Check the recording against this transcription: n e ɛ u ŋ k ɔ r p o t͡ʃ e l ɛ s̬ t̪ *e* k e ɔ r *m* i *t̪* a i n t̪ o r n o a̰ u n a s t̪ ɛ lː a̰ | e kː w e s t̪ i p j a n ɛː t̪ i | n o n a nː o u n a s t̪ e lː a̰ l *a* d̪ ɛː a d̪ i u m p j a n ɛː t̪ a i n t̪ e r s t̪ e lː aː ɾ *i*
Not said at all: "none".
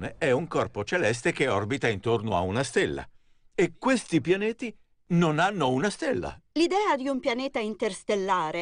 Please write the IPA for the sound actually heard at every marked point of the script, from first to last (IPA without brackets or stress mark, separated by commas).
e, b, t̪, i, e